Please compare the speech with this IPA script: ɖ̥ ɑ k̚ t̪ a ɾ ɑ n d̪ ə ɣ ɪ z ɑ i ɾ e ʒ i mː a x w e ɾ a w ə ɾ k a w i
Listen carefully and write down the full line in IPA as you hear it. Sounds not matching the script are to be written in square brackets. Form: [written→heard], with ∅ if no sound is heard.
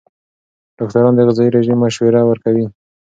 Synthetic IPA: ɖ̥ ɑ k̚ t̪ a ɾ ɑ n d̪ ə ɣ ɪ z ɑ i ɾ e ʒ i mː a [x→ʃ] w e ɾ a w ə ɾ k a w i